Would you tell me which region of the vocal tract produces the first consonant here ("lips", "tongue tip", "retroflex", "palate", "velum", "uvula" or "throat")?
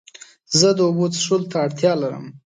tongue tip